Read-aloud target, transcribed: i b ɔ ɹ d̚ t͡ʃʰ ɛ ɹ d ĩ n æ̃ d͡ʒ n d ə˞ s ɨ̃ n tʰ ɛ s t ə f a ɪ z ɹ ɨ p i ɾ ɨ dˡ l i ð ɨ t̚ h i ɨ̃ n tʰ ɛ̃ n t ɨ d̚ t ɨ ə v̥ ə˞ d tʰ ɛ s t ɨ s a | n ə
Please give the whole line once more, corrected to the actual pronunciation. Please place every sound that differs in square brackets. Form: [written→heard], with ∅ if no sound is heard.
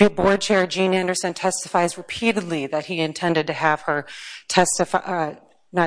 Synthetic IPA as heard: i b ɔ ɹ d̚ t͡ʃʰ ɛ ɹ [d→d͡ʒ] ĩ n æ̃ [d͡ʒ→∅] n d ə˞ s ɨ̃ n tʰ ɛ s t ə f a ɪ z ɹ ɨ [p→pʰ] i ɾ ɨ dˡ l i ð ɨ t̚ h i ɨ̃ n tʰ ɛ̃ n [t→d] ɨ d̚ t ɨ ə v̥ ə˞ [d→∅] tʰ ɛ s t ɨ [s→f] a | n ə